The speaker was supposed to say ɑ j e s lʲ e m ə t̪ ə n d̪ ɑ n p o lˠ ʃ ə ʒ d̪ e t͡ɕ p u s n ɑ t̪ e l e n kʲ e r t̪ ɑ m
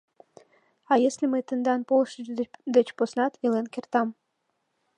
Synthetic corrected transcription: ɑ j e s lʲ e m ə t̪ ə n d̪ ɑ n p o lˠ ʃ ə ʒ d̪ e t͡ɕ p o s n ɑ t̪ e l e n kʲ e r t̪ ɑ m